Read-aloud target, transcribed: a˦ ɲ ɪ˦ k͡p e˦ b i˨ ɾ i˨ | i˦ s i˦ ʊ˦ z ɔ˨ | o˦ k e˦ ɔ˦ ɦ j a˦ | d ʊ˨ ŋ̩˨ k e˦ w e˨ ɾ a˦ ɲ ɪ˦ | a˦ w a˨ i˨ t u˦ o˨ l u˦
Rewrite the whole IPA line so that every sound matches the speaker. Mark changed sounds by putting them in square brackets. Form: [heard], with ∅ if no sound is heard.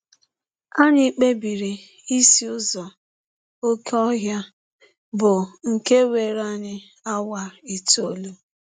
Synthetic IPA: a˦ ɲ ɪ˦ k͡p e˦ b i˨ ɾ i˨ | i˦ s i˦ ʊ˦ z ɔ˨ | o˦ k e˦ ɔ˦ ɦ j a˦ | [b] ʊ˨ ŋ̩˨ k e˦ w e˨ ɾ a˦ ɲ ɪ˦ | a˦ w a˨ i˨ t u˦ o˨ l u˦